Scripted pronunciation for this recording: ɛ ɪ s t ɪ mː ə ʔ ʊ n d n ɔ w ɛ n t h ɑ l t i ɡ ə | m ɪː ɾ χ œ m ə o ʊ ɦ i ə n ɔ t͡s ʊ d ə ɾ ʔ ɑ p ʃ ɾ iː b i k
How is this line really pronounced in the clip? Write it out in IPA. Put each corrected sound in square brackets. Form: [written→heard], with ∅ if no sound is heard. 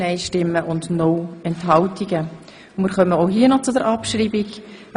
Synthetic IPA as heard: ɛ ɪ [s→ʃ] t ɪ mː ə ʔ ʊ n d n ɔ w ɛ n t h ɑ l t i ɡ ə | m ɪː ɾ χ œ m ə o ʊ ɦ i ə n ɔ t͡s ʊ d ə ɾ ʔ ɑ p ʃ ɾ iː b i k